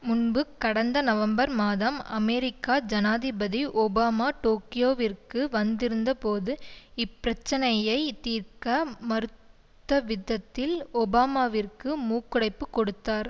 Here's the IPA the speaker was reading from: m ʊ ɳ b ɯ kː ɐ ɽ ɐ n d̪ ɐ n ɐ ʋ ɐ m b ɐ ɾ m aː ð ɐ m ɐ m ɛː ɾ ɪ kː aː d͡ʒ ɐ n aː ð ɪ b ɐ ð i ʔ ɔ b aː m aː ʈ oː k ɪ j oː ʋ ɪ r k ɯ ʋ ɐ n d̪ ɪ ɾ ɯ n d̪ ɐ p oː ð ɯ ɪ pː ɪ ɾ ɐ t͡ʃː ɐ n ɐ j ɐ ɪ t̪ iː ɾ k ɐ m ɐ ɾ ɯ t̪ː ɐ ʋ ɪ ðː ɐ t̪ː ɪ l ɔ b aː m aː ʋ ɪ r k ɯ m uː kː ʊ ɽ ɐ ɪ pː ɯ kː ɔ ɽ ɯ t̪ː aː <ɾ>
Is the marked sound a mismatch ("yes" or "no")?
no